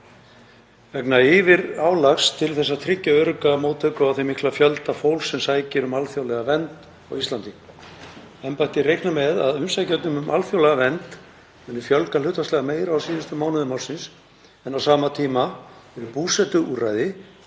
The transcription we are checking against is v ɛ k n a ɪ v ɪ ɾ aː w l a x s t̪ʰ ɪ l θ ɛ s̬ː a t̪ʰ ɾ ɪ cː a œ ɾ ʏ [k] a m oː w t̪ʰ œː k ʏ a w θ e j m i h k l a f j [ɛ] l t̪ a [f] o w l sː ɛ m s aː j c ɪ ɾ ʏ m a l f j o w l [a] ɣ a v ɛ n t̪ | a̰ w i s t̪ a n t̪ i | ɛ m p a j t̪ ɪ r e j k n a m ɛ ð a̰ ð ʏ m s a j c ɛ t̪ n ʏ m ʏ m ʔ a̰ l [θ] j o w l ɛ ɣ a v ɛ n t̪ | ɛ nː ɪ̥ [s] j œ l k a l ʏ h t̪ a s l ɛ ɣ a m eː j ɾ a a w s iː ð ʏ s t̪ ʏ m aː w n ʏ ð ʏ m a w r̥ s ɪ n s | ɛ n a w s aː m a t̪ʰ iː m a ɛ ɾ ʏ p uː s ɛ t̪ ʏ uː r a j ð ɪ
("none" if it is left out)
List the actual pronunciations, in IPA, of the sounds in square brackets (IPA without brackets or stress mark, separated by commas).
k, œ, f, ɛ, f, f